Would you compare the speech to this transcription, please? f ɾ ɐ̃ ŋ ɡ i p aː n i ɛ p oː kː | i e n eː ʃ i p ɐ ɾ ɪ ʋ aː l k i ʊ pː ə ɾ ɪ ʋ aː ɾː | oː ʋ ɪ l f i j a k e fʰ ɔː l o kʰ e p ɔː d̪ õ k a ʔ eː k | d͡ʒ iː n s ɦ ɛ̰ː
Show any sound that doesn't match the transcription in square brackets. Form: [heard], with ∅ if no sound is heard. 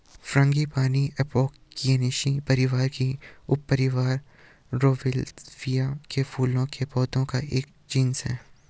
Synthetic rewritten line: f ɾ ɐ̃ ŋ ɡ i p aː n i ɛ p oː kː | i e n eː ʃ i p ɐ ɾ ɪ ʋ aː [ɾ] k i ʊ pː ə ɾ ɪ ʋ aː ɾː | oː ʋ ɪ l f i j a k e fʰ [uː] l [õ] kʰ e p ɔː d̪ õ k a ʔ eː k | d͡ʒ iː n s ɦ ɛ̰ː